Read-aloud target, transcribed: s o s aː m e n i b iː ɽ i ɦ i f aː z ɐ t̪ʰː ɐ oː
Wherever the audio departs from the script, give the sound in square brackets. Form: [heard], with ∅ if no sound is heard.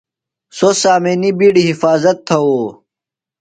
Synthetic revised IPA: s o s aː m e n i b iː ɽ i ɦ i f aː z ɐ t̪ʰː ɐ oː